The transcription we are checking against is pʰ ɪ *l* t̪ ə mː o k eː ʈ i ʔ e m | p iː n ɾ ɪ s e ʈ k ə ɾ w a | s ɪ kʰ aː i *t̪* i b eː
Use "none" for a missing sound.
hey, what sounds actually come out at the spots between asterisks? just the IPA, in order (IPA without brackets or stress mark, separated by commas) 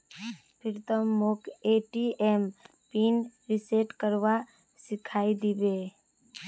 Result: ɾ, d̪